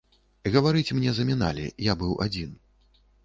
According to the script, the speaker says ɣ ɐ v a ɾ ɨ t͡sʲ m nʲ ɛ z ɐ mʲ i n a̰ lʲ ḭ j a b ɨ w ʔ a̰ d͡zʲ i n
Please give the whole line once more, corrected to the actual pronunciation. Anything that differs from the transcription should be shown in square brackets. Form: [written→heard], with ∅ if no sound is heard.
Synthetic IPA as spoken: ɣ ɐ v a ɾ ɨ t͡sʲ m nʲ ɛ z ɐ mʲ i n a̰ lʲ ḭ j a b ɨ w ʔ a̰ d͡zʲ i n

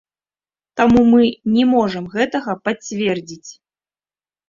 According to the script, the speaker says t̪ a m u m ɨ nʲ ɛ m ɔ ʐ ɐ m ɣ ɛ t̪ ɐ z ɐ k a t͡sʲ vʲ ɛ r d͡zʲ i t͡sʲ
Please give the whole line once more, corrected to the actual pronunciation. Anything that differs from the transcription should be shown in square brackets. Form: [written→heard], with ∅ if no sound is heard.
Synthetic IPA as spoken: t̪ a m u m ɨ nʲ ɛ m ɔ ʐ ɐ m ɣ ɛ t̪ ɐ [z→ɣ] ɐ [k→p] a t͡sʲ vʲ ɛ r d͡zʲ i t͡sʲ

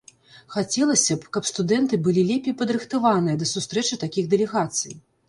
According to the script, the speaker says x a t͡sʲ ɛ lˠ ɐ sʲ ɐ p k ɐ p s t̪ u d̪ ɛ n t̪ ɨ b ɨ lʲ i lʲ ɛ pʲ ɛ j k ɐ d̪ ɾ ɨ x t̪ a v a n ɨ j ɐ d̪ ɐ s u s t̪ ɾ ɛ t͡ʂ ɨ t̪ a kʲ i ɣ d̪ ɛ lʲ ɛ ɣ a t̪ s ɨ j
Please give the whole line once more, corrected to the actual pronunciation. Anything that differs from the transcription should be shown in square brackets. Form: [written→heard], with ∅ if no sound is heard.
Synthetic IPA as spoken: x a t͡sʲ ɛ lˠ ɐ sʲ ɐ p k ɐ p s t̪ u d̪ ɛ n t̪ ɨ b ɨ lʲ i lʲ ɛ pʲ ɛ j [k→p] ɐ d̪ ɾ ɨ x t̪ a v a n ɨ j ɐ d̪ ɐ s u s t̪ ɾ ɛ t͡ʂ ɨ t̪ a kʲ i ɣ d̪ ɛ lʲ ɛ ɣ a t̪ s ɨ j

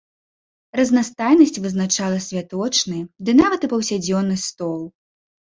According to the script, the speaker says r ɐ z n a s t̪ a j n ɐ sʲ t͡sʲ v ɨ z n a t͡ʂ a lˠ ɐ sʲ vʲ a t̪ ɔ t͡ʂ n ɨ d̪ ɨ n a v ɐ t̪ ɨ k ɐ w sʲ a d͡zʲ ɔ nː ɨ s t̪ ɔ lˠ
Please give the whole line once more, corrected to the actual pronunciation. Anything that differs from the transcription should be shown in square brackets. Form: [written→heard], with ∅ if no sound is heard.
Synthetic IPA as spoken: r ɐ z n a s t̪ a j n ɐ sʲ t͡sʲ v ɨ z n a t͡ʂ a lˠ ɐ sʲ vʲ a t̪ ɔ t͡ʂ n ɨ d̪ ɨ n a v ɐ t̪ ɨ [k→p] ɐ w sʲ a d͡zʲ ɔ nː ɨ s t̪ ɔ lˠ

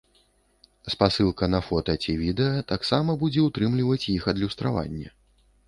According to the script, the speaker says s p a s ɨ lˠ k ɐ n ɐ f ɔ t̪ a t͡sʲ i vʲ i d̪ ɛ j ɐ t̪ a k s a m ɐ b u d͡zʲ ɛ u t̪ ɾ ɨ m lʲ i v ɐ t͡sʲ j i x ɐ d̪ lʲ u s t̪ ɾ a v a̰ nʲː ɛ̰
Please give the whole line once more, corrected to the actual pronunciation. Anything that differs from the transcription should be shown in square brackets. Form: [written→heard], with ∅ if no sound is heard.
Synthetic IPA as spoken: s p a s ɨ lˠ k ɐ n ɐ f ɔ t̪ [a→ɐ] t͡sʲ i vʲ i d̪ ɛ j ɐ t̪ a k s a m ɐ b u d͡zʲ ɛ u t̪ ɾ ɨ m lʲ i v ɐ t͡sʲ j i x ɐ d̪ lʲ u s t̪ ɾ a v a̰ nʲː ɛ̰

